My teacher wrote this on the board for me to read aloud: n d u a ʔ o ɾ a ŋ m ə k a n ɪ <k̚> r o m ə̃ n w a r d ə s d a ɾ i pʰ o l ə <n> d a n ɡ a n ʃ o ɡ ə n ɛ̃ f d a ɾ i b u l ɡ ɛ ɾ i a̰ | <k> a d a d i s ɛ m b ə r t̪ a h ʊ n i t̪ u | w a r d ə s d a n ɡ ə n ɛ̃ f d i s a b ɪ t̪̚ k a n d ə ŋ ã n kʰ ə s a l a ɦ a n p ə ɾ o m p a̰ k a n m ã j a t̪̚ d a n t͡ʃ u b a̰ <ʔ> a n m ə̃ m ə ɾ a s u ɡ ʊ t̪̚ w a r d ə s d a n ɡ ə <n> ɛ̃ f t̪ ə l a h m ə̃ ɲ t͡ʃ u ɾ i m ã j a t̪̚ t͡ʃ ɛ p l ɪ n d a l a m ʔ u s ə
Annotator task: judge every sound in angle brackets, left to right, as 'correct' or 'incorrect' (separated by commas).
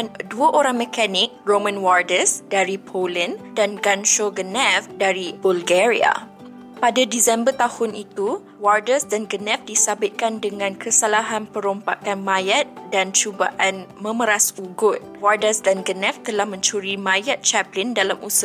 correct, correct, incorrect, correct, correct